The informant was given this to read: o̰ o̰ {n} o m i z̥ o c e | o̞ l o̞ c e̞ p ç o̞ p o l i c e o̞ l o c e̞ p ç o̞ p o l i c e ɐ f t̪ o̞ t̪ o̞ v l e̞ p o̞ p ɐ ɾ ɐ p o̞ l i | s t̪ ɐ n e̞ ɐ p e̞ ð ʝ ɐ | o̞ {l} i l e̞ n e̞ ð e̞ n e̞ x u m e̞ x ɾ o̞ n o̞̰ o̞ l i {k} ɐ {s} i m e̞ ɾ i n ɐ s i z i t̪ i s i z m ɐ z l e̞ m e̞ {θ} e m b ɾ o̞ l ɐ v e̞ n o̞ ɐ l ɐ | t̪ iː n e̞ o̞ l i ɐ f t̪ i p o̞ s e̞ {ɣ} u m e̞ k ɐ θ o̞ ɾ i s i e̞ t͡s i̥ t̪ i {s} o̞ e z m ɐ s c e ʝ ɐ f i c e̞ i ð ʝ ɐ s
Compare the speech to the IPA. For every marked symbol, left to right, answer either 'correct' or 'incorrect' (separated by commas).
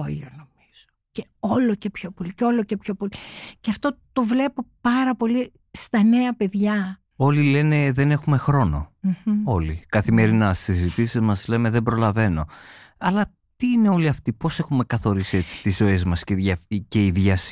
correct, correct, correct, incorrect, incorrect, incorrect, incorrect